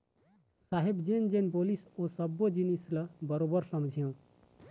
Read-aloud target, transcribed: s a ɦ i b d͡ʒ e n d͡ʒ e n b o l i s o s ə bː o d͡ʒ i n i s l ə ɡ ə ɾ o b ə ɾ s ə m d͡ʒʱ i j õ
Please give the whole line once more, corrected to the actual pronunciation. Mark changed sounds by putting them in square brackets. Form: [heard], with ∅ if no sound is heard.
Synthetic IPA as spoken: s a ɦ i b d͡ʒ e n d͡ʒ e n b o l i s o s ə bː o d͡ʒ i n i s l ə [b] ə ɾ o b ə ɾ s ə m d͡ʒʱ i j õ